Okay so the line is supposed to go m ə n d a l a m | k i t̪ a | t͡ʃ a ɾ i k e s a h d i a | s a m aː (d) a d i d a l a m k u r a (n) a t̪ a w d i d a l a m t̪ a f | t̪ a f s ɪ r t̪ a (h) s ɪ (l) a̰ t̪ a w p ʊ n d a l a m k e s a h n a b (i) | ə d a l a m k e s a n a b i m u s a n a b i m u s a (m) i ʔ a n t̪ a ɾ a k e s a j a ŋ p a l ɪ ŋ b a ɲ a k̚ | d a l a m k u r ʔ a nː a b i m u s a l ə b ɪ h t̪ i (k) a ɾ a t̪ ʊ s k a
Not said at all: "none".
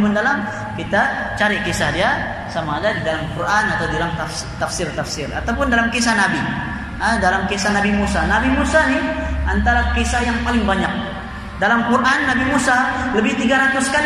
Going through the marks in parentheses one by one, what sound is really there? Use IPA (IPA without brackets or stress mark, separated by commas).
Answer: d, n, f, r, i, n, ɡ